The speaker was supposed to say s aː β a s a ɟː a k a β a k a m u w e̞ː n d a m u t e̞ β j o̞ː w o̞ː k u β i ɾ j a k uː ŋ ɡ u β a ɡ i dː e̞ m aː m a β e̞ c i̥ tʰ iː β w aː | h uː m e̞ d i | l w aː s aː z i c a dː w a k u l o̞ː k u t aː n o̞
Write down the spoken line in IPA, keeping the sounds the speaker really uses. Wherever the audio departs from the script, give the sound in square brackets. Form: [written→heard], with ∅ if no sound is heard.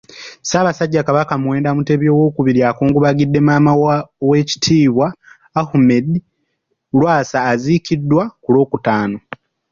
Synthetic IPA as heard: s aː β a s a ɟː a k a β a k a m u w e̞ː n d a m u t e̞ β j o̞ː w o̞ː k u β i ɾ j a k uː ŋ ɡ u β a ɡ i dː e̞ m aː m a [β→w] e̞ c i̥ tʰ iː β w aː | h [uː→u] m e̞ d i | l w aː s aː z i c [a→i] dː w a k u l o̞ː k u t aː n o̞

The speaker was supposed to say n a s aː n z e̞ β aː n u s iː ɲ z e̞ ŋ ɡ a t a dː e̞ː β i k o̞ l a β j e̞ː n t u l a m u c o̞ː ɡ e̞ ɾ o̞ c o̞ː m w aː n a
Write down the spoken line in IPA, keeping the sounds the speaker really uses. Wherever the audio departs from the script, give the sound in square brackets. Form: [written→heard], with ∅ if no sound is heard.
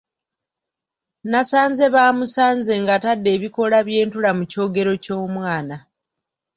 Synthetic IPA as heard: n a s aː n z e̞ β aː [n→m] u s [iː→aː] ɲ z e̞ ŋ ɡ a t a dː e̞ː β i k o̞ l a β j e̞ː n t u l a m u c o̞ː ɡ e̞ ɾ o̞ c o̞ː m w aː n a

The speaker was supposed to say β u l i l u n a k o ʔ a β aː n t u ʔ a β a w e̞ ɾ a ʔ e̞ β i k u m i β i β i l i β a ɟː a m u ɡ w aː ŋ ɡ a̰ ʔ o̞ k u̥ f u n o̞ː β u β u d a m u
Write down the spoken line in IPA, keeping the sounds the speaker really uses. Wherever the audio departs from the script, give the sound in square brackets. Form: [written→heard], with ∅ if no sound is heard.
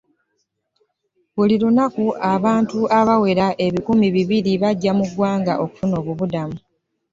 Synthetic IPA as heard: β u l i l u n a k [o→u] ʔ a β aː n t u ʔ a β a w e̞ ɾ a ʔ e̞ β i k u m i β i β i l i β a ɟː a m u ɡ w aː ŋ ɡ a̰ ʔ o̞ k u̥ f u n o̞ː β u β u d a m u

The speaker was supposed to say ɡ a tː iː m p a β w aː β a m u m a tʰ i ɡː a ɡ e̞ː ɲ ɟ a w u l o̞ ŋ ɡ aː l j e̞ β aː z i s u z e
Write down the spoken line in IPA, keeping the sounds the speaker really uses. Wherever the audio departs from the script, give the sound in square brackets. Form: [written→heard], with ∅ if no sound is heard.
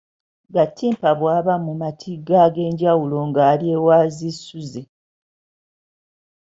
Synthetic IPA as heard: ɡ a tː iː m p a β w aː β a m u m a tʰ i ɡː a ɡ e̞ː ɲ ɟ a w u l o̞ ŋ ɡ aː l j e̞ [β→w] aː z i s u z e

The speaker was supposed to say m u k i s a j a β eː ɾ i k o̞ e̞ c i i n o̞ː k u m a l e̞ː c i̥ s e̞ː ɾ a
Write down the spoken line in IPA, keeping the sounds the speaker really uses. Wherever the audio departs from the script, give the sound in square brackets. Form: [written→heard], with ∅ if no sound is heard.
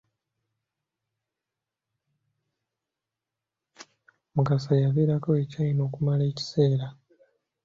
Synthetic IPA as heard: m u k [i→a] s a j a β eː ɾ [i→a] k o̞ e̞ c [i→a] i n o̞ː k u m a l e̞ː c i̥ s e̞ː ɾ a

